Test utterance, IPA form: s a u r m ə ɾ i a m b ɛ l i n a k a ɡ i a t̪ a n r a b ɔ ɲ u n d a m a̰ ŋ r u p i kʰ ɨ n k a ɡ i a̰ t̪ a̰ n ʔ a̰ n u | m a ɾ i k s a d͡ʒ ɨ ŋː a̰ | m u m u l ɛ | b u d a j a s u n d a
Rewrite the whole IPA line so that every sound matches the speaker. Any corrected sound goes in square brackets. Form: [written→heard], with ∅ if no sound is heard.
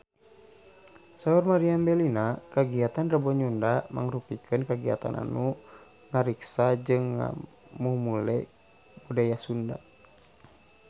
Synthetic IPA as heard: s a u r m [ə→a] ɾ i a m b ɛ l i n a k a ɡ i a t̪ a n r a b ɔ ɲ u n d a m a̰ ŋ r u p i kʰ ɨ n k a ɡ i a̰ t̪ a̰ n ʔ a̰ n u | [m→ŋ] a ɾ i k s a d͡ʒ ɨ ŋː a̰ | m u m u l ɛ | b u d a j a s u n d a